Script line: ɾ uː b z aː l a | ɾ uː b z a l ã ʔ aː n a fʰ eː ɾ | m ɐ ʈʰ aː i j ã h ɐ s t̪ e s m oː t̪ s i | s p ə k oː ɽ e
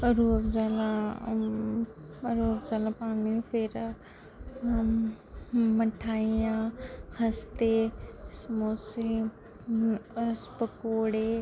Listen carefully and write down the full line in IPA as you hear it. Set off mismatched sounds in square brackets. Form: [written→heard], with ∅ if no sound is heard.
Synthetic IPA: ɾ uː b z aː l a | ɾ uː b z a l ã [ʔ→p] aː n [a→i] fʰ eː ɾ | m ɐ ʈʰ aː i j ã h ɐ s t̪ e s m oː [t̪→∅] s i | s p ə k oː ɽ e